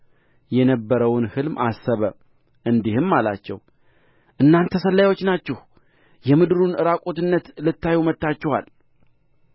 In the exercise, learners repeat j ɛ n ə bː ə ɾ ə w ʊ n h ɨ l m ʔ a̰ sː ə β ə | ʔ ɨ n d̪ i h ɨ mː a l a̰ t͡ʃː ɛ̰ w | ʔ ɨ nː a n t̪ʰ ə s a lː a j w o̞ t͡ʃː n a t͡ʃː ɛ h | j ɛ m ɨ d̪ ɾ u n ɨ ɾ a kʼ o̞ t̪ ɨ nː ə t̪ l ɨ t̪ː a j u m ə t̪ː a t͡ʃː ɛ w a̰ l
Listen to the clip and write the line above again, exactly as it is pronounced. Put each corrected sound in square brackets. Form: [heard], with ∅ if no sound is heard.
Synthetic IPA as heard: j ɛ n ə bː ə ɾ ə w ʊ n h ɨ l m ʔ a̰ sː ə β ə | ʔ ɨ n d̪ i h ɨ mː a l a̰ t͡ʃː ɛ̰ w | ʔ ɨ nː a n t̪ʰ ə s [ə] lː a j w o̞ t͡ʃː n a t͡ʃː ɛ h | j ɛ m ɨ d̪ ɾ u n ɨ ɾ a kʼ o̞ t̪ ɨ nː ə t̪ l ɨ t̪ː a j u m ə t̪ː a t͡ʃː ɛ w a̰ l